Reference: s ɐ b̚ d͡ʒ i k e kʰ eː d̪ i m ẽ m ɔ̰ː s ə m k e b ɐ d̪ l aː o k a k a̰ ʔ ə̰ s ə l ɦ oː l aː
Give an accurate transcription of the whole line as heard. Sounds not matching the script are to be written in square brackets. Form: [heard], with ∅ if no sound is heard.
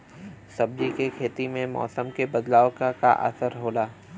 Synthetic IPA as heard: s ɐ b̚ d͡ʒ i k e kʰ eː [t̪] i m ẽ m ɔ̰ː s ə m k e b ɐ d̪ l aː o k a k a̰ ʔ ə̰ s ə [ɾ] ɦ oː l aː